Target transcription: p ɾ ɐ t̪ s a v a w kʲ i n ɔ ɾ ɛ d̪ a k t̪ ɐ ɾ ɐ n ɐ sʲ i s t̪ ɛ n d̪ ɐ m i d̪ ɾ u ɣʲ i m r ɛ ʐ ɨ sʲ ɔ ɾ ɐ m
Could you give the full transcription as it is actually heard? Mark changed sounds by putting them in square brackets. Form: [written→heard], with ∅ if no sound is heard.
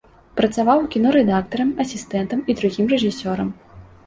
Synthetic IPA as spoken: p ɾ ɐ t̪ s a v a w kʲ i n ɔ ɾ ɛ d̪ a k t̪ ɐ ɾ ɐ [n→m] ɐ sʲ i s t̪ ɛ n [d̪→t̪] ɐ m i d̪ ɾ u ɣʲ i m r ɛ ʐ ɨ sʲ ɔ ɾ ɐ m